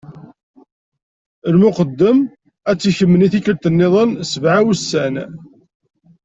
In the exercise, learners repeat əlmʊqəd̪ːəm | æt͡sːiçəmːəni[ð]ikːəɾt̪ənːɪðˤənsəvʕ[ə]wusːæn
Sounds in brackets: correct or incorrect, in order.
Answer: incorrect, incorrect

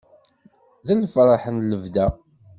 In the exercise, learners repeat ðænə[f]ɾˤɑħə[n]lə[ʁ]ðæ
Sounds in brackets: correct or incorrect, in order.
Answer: correct, correct, incorrect

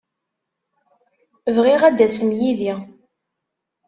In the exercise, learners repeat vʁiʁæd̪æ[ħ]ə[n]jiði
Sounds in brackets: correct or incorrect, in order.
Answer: incorrect, incorrect

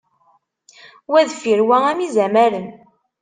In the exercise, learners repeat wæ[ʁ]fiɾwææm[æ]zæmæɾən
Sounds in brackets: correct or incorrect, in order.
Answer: incorrect, incorrect

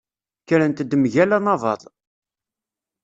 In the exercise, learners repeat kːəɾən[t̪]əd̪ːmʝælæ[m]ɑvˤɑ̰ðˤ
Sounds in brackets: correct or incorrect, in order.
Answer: correct, incorrect

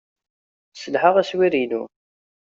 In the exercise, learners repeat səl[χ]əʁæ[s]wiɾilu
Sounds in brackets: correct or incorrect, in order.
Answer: incorrect, correct

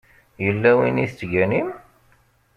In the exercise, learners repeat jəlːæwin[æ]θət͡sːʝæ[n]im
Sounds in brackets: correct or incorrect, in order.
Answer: incorrect, correct

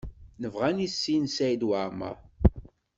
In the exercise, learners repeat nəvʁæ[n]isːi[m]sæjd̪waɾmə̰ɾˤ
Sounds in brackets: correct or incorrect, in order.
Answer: correct, incorrect

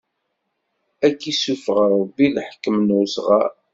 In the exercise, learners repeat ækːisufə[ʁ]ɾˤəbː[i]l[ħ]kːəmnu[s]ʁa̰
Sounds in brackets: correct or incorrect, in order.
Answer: correct, correct, correct, correct

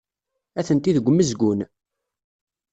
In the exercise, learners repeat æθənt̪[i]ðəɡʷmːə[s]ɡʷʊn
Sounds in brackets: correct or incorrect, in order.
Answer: correct, incorrect

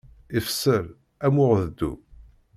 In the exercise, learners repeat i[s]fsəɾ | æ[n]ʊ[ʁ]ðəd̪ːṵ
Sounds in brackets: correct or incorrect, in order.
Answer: incorrect, incorrect, correct

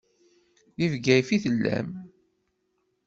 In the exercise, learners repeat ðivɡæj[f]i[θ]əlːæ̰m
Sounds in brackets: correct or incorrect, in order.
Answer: correct, correct

